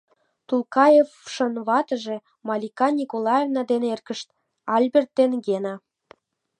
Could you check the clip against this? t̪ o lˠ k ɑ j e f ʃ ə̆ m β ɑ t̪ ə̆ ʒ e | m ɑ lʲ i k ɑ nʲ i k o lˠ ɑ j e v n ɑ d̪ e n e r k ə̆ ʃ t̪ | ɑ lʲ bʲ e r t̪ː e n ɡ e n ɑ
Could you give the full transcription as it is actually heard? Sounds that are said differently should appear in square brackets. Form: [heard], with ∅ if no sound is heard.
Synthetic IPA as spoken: t̪ [u] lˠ k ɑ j e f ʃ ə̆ [n] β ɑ t̪ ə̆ ʒ e | m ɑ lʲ i k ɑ nʲ i k o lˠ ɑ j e v n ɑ d̪ e n e r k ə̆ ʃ t̪ | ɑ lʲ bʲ e r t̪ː e n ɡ e n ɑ